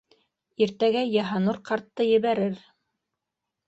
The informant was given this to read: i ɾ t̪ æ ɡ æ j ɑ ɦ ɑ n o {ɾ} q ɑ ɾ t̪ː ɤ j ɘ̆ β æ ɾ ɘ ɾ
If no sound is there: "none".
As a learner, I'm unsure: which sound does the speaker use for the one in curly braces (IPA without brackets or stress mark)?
ɾ